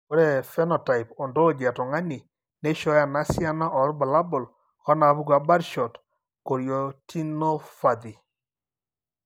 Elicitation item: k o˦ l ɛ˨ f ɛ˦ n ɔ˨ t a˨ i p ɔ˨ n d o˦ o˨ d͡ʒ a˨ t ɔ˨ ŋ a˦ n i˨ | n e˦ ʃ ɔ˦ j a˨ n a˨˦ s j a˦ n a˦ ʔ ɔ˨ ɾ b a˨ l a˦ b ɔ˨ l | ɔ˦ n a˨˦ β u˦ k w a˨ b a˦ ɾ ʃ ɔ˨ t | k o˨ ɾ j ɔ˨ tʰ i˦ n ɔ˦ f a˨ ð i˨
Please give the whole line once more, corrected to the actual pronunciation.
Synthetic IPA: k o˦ ɾ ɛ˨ f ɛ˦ n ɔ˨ t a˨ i p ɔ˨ n d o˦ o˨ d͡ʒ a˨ t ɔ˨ ŋ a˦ n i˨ | n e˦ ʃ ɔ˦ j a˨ n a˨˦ s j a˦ n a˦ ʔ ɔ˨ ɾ b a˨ l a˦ b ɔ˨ l | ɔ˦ n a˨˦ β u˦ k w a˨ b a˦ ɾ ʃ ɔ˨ t | k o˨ ɾ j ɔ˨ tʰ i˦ n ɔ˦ f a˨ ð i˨